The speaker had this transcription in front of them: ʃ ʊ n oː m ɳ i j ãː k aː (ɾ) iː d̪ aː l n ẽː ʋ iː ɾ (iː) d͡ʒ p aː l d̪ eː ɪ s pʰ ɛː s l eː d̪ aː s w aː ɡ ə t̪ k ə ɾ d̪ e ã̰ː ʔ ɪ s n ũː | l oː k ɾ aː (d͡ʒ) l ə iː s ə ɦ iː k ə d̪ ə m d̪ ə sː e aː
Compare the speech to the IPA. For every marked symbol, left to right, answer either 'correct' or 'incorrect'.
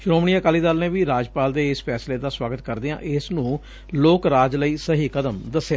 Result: incorrect, incorrect, correct

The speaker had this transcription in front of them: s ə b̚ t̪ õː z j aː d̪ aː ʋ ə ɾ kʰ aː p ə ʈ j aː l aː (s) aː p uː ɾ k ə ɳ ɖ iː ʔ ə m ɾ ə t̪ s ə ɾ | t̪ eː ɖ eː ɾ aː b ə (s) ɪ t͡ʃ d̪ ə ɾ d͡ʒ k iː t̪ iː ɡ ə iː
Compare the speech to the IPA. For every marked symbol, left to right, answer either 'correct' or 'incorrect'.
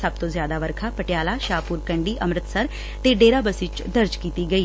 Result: incorrect, correct

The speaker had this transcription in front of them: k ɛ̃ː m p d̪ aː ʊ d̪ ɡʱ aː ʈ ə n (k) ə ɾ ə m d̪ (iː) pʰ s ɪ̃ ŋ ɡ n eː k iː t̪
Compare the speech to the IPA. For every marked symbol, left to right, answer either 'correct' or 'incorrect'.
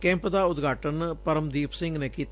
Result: incorrect, correct

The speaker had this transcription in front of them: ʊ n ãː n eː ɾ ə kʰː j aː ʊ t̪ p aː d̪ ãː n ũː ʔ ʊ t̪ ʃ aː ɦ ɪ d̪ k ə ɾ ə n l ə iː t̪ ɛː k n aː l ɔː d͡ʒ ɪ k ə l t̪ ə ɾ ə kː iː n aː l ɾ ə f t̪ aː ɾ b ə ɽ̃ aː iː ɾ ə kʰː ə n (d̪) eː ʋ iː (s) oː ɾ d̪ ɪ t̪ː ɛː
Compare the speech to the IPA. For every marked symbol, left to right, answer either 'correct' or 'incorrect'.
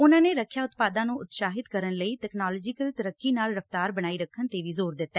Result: incorrect, incorrect

